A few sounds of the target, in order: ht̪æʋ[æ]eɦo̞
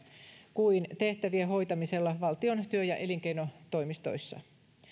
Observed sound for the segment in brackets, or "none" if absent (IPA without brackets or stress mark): i